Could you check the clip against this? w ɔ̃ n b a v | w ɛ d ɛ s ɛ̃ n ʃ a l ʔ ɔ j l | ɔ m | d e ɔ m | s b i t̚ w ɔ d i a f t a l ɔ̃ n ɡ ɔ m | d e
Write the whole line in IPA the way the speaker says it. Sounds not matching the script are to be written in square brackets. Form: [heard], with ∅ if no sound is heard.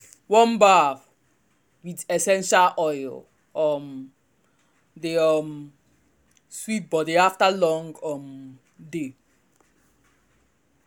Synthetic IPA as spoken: w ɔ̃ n b a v | w [i] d ɛ s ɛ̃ n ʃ a l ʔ ɔ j l | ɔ m | d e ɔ m | s [w] i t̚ [b] ɔ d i a f t a l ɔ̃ [ŋ] ɡ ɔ m | d e